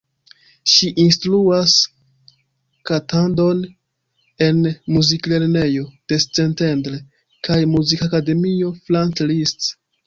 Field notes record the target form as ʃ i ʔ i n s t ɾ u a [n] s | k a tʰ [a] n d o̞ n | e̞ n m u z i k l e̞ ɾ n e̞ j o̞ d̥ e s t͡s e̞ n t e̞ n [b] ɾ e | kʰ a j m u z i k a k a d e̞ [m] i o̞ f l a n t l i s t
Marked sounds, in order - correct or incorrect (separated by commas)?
incorrect, correct, incorrect, correct